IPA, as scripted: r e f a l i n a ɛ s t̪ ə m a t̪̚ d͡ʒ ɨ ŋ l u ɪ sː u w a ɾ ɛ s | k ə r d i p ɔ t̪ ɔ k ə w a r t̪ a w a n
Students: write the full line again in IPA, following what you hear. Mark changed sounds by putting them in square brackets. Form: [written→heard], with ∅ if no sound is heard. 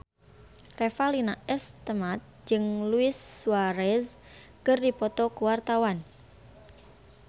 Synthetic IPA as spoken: r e f a l i n a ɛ s t̪ ə m a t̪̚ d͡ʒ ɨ ŋ l u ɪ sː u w a ɾ ɛ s | k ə r d i p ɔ t̪ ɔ k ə w a r t̪ a w a n